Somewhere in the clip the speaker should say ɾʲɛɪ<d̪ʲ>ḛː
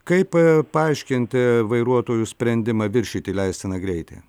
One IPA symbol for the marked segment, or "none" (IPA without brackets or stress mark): t̪ʲ